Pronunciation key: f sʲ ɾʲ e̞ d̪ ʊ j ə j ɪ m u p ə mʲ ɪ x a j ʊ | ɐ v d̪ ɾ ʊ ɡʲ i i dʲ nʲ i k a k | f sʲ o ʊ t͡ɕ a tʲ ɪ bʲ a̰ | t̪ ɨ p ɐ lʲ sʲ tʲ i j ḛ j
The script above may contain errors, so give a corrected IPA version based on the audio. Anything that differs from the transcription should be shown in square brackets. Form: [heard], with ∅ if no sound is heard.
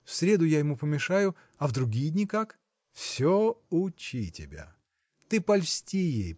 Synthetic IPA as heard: f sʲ ɾʲ e̞ d̪ ʊ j [a] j ɪ m u p ə mʲ ɪ [ʂ] a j ʊ | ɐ v d̪ ɾ ʊ ɡʲ i [j] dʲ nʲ i k a k | f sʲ o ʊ t͡ɕ [i] tʲ ɪ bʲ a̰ | t̪ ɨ p ɐ lʲ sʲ tʲ i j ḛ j